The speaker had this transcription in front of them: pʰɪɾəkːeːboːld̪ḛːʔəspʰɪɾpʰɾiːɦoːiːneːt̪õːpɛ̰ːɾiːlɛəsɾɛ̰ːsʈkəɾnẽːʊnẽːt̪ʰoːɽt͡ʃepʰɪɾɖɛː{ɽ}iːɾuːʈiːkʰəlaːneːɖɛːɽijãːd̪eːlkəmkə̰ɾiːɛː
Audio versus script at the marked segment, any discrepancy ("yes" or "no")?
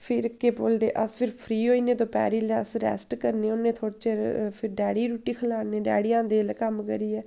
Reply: no